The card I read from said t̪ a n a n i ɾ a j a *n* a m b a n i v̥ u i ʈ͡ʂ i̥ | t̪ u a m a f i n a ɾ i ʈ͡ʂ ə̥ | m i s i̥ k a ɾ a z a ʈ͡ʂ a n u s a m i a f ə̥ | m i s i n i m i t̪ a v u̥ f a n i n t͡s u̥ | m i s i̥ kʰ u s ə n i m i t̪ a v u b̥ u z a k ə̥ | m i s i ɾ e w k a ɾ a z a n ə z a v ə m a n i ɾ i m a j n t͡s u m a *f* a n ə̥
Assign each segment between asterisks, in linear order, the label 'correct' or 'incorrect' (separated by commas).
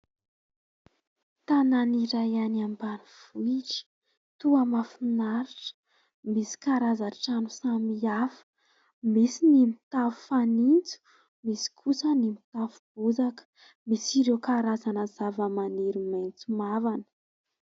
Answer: correct, incorrect